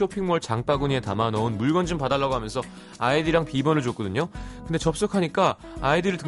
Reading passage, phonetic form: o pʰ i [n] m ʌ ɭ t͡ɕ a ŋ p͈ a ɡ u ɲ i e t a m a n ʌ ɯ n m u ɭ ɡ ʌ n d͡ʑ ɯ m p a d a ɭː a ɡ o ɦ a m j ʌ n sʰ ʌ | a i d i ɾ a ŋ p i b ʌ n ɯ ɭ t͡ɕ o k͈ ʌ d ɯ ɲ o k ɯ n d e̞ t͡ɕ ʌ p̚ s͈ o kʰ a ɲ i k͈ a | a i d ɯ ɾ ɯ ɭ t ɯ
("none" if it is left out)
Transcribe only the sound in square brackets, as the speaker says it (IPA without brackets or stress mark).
ŋ